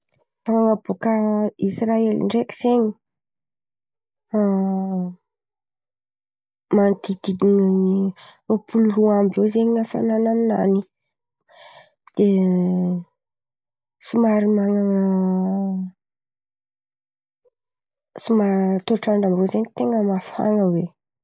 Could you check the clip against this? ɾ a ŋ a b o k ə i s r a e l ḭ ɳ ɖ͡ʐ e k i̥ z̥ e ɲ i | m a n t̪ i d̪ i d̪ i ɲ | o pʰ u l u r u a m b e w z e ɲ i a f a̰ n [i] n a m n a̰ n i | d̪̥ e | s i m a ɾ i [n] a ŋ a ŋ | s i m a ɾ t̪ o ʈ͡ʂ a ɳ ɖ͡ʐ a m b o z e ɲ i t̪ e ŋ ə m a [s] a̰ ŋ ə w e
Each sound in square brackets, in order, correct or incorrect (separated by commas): incorrect, incorrect, incorrect